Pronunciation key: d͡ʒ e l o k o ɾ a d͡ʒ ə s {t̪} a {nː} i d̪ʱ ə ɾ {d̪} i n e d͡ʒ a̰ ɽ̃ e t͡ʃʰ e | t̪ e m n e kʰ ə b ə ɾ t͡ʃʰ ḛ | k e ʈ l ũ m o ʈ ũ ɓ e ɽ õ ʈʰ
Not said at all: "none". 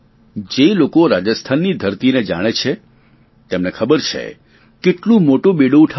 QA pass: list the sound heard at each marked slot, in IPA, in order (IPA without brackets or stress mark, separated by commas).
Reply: t̪ʰ, nː, t̪